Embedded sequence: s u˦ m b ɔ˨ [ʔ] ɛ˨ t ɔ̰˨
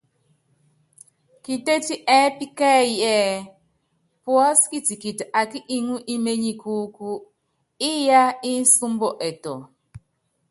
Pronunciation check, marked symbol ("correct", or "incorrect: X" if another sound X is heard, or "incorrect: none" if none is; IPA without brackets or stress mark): correct